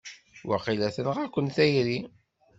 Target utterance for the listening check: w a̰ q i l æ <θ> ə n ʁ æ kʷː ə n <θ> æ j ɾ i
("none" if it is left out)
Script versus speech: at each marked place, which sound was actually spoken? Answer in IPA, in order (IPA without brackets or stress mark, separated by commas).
θ, θ